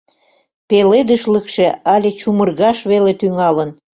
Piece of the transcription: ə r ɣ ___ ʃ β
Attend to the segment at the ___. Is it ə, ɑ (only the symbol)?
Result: ɑ